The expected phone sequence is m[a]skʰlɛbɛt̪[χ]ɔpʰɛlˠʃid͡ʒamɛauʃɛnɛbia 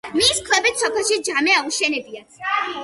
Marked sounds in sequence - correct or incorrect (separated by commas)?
incorrect, incorrect